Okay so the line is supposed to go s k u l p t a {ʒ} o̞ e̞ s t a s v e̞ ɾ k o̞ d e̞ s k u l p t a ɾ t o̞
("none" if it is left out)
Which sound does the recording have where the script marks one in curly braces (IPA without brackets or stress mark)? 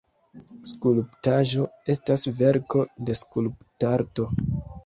ʒ